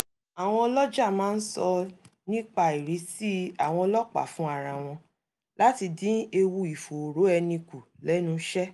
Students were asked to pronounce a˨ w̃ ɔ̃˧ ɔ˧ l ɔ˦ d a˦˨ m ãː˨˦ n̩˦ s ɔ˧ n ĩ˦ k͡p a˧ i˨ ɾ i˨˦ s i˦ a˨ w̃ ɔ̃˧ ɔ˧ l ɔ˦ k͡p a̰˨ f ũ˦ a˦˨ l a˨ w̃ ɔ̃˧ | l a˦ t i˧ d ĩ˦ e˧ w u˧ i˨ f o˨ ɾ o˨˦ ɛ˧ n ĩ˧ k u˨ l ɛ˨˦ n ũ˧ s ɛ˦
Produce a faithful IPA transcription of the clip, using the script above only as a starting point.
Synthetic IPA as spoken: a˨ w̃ ɔ̃˧ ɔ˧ l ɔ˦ d͡ʒ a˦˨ m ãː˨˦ n̩˦ s ɔ˧ n ĩ˦ k͡p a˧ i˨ ɾ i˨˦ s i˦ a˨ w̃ ɔ̃˧ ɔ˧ l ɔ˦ k͡p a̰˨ f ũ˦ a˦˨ ɾ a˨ w̃ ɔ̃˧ | l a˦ t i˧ d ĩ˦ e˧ w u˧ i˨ f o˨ ɾ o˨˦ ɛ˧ n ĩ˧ k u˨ l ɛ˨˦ n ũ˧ ʃ ɛ˦

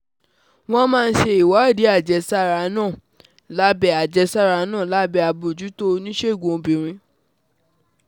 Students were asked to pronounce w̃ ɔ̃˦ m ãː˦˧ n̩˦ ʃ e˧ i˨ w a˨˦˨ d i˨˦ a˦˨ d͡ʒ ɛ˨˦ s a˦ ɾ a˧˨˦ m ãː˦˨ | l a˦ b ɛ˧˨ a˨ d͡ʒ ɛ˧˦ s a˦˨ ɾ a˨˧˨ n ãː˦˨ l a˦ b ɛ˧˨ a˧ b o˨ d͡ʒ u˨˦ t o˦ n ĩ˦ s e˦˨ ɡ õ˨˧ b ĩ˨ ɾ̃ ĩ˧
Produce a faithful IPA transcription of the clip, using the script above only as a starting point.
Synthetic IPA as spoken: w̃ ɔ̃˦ m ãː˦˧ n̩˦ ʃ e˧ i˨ w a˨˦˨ d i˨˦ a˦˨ d͡ʒ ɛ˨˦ s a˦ ɾ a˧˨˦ n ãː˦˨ | l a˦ b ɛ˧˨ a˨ d͡ʒ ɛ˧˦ s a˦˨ ɾ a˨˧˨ n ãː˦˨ l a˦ b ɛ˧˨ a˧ b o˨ d͡ʒ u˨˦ t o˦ n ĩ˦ ʃ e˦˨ ɡ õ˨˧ b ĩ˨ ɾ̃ ĩ˧

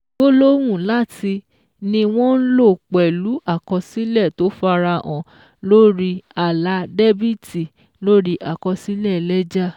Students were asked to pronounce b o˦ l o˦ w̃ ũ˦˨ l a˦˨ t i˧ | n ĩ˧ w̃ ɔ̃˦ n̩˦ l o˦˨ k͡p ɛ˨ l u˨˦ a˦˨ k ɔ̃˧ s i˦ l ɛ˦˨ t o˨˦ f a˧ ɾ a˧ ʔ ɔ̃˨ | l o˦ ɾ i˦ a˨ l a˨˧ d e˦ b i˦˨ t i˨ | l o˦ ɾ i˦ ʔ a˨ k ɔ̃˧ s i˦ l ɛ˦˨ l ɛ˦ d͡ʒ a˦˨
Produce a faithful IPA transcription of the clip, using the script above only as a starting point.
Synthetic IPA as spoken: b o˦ l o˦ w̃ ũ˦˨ l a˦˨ t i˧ | n ĩ˧ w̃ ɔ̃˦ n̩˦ l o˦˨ k͡p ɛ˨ l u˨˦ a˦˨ k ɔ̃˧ s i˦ l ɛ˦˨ t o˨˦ f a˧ ɾ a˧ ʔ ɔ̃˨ | l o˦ ɾ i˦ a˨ l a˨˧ d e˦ b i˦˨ t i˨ | l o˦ ɾ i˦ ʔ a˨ k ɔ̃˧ s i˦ l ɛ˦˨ l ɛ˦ d͡ʒ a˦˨

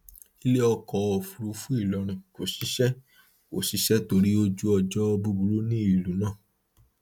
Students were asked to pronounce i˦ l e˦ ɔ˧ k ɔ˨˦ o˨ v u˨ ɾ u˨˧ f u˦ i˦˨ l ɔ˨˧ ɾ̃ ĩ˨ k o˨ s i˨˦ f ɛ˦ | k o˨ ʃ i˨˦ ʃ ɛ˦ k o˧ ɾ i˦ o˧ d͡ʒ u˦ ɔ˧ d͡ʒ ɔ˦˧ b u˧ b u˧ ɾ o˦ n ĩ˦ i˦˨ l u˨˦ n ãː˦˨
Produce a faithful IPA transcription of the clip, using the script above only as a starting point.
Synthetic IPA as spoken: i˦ l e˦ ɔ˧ k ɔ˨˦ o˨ f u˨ ɾ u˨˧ f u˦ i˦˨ l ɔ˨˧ ɾ̃ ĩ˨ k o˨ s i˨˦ ʃ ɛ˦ | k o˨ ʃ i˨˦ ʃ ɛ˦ t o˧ ɾ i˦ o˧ d͡ʒ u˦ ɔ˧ d͡ʒ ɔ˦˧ b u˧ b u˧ ɾ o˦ n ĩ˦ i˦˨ l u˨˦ n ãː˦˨

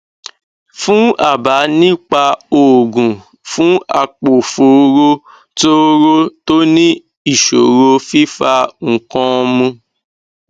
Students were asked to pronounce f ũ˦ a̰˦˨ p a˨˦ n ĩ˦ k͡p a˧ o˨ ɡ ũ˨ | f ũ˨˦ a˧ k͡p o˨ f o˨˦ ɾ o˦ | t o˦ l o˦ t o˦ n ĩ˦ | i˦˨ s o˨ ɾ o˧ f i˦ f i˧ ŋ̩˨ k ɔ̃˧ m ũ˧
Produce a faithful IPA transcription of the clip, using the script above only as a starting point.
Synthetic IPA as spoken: f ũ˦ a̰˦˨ b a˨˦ n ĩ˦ k͡p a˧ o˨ ɡ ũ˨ | f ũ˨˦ a˧ k͡p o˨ f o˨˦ ɾ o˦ | t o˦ ɾ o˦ t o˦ n ĩ˦ | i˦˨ ʃ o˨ ɾ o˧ f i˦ f a˧ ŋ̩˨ k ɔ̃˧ m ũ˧

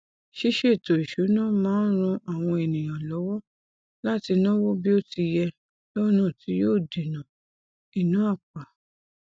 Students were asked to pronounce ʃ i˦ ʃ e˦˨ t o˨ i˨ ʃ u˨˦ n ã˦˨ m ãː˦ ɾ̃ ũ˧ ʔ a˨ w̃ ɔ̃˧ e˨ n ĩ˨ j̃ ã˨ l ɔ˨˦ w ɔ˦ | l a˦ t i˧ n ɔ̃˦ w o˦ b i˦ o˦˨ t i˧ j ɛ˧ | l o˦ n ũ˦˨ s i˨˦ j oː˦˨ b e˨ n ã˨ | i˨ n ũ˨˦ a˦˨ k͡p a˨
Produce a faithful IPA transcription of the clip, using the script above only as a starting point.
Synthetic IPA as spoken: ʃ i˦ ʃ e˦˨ t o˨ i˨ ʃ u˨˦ n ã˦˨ m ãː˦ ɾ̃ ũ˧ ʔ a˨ w̃ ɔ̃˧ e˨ n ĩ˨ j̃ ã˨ l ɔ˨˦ w ɔ˦ | l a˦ t i˧ n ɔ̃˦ w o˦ b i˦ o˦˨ t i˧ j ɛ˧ | l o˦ n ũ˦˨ t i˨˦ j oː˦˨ d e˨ n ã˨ | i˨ n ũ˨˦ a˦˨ k͡p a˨

